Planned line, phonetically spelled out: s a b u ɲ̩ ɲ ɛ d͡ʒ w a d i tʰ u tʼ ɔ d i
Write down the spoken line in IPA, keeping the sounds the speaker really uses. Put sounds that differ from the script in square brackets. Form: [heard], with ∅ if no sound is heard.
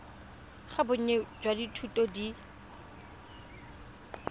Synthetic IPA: [χ] a b [ʊ] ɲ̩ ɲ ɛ d͡ʒ w a d i tʰ u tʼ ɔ d i